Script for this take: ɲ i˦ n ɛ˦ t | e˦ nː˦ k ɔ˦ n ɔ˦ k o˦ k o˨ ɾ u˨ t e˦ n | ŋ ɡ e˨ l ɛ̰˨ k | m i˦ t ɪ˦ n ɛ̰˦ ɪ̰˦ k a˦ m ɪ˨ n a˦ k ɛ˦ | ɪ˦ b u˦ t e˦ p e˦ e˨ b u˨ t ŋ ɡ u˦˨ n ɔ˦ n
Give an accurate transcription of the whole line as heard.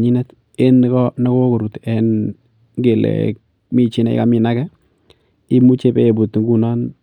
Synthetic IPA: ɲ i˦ n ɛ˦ t | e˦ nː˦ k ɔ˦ n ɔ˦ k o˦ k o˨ ɾ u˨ t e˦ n | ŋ ɡ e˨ l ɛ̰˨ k | m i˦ t͡ʃ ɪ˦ n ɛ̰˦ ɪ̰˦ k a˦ m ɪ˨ n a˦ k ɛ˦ | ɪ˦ m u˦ t͡ʃ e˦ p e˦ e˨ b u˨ t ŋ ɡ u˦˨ n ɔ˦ n